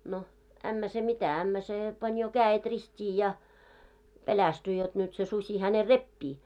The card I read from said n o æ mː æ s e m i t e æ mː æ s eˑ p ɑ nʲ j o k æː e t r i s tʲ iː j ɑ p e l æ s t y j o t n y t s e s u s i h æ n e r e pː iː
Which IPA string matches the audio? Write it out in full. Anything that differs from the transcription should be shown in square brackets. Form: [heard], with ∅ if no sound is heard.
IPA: n o æ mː æ s e m i t [æ] æ mː æ s eˑ p ɑ nʲ j o k æː e t r i s tʲ iː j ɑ p e l æ s t y j o t n y t s e s u s i h æ n e r e pː iː

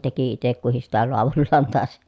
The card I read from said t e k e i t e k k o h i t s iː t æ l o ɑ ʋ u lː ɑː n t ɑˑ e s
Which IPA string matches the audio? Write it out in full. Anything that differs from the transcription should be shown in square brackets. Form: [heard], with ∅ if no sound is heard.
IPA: t e k [i] i t e k k [u] h i [s] s [i] t æ l o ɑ ʋ u lː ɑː n t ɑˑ e s

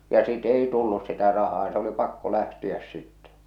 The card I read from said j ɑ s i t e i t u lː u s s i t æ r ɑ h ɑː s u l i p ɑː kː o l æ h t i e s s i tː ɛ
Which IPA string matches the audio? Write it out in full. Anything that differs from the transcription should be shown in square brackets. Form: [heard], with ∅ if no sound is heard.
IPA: j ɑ s i t e i t u lː u s s i t æ r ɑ h ɑː s [o] l i p [ɑ] kː o l æ h t i [æ] s s i tː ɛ

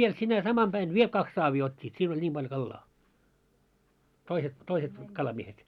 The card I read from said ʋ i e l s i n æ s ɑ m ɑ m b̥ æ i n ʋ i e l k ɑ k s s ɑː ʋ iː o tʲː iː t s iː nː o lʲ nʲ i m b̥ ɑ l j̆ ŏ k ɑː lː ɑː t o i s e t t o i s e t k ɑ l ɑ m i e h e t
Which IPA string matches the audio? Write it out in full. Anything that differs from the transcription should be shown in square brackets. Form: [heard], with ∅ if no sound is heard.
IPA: ʋ i e l s i n æ s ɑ m ɑ m b̥ æ i n ʋ i e l k ɑ k s s ɑː ʋ iː o tʲː iː t s iː [n] o lʲ nʲ i m b̥ ɑ l j̆ ŏ k [ɑ] lː ɑː t o i s e t t o i s e t k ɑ l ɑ m i e h e t

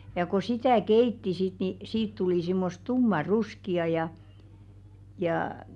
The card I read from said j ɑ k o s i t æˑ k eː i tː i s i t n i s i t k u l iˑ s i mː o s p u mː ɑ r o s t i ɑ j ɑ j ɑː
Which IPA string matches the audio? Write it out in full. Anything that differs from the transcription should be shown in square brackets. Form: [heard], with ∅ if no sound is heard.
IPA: j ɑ k o s i t æˑ k [e] i tː i s i t n i s [iː] t [t] u l iˑ s i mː o s [t] u mː ɑ r [u] s [k] i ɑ j ɑ j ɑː

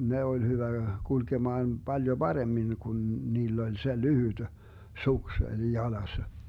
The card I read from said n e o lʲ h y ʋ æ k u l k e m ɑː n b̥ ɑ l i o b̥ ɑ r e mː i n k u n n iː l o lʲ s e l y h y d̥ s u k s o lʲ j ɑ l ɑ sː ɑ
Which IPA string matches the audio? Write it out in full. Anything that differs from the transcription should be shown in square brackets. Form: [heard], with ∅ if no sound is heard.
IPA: n e o lʲ h y ʋ æ k u l k e m ɑː n b̥ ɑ l [j] o b̥ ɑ r e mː i n k u n n iː [lː] o lʲ s e l y h y d̥ s u k s o lʲ j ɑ l ɑ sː ɑ

